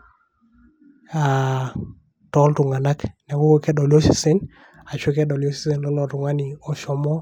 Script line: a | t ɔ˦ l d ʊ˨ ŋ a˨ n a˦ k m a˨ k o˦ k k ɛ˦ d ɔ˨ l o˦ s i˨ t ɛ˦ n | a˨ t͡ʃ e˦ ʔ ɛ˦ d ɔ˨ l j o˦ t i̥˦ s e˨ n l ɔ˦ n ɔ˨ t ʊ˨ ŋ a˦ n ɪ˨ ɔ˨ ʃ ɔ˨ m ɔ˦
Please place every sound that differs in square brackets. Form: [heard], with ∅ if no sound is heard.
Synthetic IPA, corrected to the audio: a | t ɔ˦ l [t] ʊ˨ ŋ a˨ n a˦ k [n] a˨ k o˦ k k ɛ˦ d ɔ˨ l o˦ s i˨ [s] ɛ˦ n | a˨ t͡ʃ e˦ [k] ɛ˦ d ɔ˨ l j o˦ [s] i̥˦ s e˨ n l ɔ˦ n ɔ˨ t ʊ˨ ŋ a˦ n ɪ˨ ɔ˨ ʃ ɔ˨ m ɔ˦